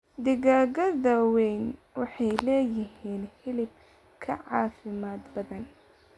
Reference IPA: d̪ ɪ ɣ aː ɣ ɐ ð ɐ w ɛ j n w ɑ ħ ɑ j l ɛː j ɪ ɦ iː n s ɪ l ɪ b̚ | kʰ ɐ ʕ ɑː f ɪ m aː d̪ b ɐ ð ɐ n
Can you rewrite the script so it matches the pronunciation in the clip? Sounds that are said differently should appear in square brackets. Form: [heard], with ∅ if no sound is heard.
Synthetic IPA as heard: d̪ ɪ ɣ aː ɣ ɐ ð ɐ w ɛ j n w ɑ ħ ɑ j l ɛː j ɪ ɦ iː n [h] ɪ l ɪ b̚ | kʰ ɐ ʕ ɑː f ɪ m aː d̪ b ɐ ð ɐ n